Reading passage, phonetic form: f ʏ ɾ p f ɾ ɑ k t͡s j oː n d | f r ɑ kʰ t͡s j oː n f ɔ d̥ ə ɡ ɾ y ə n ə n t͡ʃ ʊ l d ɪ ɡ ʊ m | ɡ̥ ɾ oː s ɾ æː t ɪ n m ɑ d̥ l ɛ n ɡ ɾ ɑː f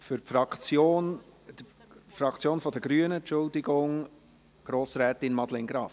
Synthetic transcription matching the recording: f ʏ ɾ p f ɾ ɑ k t͡s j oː n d | f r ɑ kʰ t͡s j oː n f ɔ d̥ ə ɡ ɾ y ə n ə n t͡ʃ ʊ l d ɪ ɡ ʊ ŋ | ɡ̥ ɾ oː s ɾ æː t ɪ n m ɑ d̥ l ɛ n ɡ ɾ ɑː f